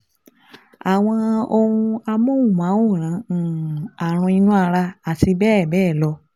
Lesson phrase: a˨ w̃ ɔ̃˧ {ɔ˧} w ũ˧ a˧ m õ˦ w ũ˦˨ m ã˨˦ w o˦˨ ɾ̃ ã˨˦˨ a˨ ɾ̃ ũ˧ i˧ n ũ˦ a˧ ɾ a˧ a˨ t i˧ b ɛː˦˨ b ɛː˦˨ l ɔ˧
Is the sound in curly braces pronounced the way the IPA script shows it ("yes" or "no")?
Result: no